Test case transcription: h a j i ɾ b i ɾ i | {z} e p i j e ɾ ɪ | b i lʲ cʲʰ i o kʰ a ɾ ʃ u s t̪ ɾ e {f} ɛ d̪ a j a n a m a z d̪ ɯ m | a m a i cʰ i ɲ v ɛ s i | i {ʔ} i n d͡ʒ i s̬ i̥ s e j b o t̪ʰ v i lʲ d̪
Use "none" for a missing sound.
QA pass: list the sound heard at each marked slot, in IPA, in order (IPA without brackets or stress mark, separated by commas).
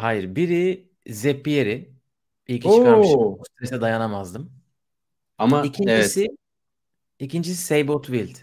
z, s, c